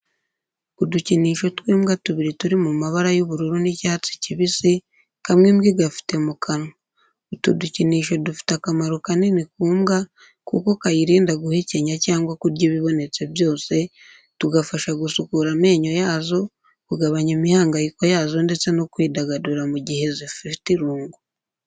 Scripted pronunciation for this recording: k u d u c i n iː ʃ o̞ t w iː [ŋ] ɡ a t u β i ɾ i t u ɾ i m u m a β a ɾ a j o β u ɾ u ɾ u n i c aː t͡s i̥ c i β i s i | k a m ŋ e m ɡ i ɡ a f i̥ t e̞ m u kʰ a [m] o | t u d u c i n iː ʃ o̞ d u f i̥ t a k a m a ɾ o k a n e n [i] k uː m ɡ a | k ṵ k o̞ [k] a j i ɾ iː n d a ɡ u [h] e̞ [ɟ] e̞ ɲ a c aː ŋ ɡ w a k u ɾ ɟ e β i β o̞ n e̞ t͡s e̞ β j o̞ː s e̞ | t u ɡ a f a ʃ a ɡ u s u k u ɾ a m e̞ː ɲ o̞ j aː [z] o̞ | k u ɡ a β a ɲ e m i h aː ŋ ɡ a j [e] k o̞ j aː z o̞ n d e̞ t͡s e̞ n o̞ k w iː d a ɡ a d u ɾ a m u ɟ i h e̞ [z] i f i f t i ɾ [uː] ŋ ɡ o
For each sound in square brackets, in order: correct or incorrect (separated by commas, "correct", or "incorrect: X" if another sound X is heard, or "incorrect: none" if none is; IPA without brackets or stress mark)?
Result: incorrect: m, incorrect: n, correct, correct, correct, incorrect: c, correct, incorrect: i, correct, correct